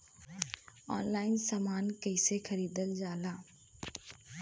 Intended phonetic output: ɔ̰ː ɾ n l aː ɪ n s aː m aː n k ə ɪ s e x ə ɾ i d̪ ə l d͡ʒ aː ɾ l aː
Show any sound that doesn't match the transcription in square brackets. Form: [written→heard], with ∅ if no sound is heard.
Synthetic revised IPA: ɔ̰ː [ɾ→∅] n l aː ɪ n s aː m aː n k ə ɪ s e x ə ɾ [i→iː] d̪ ə l d͡ʒ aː [ɾ→∅] l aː